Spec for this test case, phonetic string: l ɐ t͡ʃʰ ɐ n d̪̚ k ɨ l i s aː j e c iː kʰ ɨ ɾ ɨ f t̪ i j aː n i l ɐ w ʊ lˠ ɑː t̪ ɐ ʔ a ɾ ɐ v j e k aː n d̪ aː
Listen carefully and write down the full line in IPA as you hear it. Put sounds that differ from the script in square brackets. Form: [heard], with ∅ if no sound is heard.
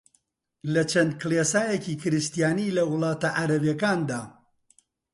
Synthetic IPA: l ɐ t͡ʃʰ ɐ n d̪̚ k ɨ l [e] s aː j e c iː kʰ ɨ ɾ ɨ [s] t̪ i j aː n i l ɐ w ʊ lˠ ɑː t̪ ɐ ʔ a ɾ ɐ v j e k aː n d̪ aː